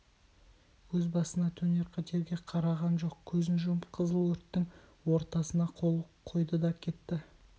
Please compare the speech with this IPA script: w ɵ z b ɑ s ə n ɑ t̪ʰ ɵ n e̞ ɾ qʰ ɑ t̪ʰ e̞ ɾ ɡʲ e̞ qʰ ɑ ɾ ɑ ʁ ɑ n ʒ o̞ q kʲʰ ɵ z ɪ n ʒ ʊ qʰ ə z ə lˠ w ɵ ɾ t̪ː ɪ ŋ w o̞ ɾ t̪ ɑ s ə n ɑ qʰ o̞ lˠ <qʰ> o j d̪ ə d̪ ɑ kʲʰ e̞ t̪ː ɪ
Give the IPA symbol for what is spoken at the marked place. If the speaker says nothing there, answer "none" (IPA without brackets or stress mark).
qʰ